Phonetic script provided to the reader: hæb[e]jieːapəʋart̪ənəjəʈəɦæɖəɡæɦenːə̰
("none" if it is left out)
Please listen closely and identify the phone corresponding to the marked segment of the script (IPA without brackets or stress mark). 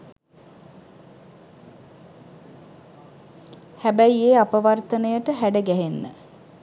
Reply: æ